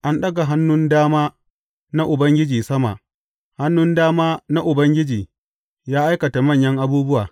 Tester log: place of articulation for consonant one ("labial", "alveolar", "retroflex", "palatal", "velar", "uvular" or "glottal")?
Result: glottal